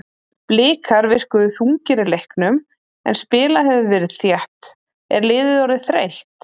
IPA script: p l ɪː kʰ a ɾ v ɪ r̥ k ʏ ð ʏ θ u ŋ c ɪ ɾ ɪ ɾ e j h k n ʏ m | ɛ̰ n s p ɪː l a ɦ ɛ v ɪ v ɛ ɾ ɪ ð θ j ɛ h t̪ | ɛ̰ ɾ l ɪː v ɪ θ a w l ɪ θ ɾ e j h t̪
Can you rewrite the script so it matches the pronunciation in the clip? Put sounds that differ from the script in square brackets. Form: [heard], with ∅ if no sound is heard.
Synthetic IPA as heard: p l ɪː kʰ a ɾ v ɪ r̥ k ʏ ð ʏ θ u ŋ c ɪ ɾ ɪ [l] e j h k n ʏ m | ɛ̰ n s p ɪː l a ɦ ɛ v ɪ v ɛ ɾ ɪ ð θ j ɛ h t̪ | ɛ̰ ɾ l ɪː [ð] ɪ [ð] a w [ɾ] ɪ θ ɾ e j h t̪